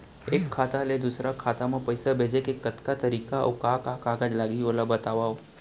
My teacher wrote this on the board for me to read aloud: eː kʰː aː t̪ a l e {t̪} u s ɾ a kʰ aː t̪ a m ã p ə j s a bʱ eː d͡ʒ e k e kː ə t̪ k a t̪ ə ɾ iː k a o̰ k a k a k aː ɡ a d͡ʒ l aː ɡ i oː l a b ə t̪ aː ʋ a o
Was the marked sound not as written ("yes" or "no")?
yes